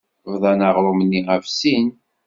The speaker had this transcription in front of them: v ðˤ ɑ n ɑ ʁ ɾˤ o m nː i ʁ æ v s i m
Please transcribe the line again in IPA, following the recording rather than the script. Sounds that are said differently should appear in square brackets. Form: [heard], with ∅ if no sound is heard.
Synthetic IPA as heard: v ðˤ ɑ n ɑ ʁ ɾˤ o m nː i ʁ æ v s i [n]